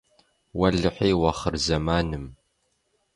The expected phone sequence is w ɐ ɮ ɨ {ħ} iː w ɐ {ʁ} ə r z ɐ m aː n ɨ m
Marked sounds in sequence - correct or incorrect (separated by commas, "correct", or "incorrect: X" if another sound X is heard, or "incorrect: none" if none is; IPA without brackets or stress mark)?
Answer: correct, incorrect: χ